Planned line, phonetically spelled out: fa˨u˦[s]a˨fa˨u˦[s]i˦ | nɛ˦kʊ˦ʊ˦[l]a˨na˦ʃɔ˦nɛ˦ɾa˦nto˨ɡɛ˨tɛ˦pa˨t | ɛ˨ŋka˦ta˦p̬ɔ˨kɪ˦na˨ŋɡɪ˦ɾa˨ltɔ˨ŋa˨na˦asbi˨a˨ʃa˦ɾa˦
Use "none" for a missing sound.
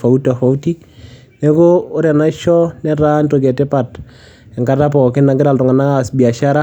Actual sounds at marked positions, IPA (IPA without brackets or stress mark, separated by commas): t, t, ɾ